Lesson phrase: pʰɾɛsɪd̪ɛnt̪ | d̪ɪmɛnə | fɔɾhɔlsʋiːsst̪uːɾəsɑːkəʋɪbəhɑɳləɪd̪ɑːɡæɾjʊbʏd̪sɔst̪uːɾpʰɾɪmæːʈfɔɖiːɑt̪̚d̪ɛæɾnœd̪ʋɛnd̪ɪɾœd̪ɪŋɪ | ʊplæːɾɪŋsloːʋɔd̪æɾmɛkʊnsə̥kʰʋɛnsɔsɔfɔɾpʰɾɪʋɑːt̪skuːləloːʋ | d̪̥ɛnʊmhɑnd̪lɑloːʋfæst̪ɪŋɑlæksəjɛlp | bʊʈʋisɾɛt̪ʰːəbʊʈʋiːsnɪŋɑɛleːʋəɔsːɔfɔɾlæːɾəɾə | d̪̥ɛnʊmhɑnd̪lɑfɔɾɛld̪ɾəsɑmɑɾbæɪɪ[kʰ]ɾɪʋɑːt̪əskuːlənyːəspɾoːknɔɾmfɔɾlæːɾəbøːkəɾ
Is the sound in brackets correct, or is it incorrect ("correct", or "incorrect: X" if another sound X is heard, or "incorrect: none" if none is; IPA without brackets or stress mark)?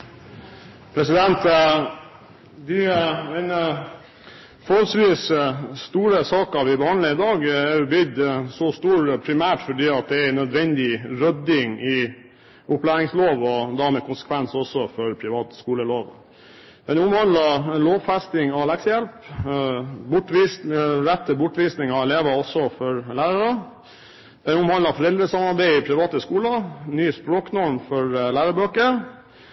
incorrect: pʰ